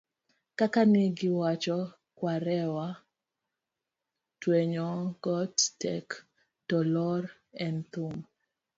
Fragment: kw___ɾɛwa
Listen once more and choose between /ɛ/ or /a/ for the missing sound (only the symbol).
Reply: a